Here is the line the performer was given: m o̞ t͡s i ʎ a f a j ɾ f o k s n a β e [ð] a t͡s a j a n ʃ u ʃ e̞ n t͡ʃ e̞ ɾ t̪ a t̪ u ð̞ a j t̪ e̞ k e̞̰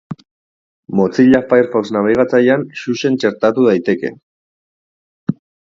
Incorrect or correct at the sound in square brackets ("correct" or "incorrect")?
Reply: incorrect